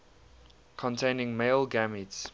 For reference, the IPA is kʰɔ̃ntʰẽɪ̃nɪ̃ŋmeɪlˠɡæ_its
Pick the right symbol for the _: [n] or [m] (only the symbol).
m